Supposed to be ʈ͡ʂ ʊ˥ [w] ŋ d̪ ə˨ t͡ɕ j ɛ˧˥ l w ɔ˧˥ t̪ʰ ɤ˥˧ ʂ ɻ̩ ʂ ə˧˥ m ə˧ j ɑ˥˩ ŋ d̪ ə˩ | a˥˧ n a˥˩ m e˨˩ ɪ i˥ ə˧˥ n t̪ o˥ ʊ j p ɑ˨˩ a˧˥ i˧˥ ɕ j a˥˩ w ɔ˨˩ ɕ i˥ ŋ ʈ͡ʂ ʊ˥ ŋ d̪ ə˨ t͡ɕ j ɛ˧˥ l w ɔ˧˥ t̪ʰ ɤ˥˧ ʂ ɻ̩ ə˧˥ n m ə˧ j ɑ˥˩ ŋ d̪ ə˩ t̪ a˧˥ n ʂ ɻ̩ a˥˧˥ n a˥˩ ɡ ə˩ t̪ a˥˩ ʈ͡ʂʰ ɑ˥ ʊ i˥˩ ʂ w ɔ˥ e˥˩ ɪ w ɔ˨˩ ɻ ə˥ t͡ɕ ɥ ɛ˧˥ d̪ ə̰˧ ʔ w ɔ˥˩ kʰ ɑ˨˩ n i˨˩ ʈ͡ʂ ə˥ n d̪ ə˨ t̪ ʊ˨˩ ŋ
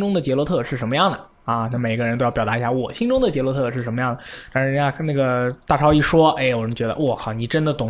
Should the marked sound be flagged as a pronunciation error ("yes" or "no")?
yes